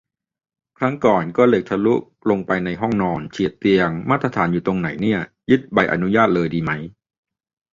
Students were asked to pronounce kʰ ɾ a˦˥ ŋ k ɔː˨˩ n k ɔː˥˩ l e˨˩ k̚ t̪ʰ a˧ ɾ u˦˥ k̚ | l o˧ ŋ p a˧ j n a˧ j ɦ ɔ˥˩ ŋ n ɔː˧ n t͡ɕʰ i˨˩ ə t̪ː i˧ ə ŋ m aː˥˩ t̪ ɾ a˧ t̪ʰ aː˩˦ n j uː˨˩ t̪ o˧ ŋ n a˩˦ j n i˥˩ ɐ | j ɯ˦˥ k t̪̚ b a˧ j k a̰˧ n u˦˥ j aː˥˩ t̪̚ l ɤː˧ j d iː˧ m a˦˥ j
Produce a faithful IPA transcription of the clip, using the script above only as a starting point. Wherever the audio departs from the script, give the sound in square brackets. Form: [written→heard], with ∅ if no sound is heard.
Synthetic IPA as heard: kʰ ɾ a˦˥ ŋ k ɔː˨˩ n k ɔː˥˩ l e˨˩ k̚ t̪ʰ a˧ [ɾ→l] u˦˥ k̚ | l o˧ ŋ p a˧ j n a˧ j ɦ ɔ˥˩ ŋ n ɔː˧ n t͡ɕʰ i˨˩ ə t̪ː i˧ ə ŋ m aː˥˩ t̪ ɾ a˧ t̪ʰ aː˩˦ n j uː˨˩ t̪ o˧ ŋ n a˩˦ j n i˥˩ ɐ | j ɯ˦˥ [k→∅] t̪̚ b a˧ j [k→ʔ] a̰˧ n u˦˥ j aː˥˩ t̪̚ l ɤː˧ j d iː˧ m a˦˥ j